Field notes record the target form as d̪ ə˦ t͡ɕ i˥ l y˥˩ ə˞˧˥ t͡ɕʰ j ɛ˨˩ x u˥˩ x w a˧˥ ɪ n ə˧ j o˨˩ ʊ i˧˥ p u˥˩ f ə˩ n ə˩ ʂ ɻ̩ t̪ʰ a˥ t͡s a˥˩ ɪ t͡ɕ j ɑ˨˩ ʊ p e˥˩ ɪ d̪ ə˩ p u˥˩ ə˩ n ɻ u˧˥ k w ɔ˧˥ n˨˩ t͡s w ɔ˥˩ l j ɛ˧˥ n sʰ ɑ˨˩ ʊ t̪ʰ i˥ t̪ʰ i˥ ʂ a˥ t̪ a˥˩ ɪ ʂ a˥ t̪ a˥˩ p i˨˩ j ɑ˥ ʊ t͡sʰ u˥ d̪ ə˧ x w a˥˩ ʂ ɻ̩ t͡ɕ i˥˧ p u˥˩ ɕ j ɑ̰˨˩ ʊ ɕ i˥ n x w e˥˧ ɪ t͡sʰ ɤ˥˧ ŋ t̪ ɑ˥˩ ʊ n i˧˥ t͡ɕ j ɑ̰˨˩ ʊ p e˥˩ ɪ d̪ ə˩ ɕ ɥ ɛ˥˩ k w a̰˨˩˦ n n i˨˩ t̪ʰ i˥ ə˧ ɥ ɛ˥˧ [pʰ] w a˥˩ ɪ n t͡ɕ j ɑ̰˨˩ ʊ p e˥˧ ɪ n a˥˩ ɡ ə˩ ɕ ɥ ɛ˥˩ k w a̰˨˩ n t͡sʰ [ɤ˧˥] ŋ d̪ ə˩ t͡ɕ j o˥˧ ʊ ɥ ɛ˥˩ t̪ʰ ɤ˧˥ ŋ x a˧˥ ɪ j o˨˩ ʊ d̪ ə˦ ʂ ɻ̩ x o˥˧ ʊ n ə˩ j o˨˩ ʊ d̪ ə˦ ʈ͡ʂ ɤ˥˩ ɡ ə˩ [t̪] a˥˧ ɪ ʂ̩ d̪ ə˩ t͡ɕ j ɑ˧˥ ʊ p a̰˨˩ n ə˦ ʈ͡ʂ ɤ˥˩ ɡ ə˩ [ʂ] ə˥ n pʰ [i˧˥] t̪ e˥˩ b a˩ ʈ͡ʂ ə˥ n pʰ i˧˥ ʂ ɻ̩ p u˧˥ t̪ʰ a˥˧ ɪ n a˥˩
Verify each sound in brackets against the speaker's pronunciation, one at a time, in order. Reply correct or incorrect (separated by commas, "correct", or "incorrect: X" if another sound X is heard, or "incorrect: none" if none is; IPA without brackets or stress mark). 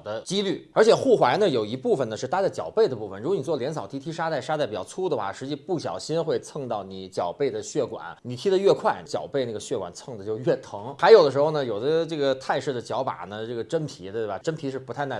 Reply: incorrect: kʰ, incorrect: ɤ˥˧, incorrect: t̪ʰ, incorrect: ʈ͡ʂ, correct